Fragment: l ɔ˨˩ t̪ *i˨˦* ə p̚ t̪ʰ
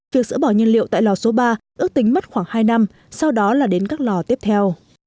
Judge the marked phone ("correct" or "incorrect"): incorrect